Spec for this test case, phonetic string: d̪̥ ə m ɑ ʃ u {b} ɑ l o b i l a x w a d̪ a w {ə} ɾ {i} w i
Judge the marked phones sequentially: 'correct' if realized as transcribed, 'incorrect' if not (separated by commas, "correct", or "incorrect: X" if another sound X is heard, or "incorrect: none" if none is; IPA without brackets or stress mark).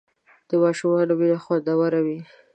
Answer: incorrect: m, incorrect: a, incorrect: a